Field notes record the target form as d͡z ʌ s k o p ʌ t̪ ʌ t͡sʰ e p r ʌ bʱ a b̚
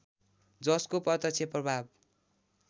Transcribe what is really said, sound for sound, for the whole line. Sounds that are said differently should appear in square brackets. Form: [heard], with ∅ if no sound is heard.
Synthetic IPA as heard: d͡z ʌ s k o p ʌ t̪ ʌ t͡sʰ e p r ʌ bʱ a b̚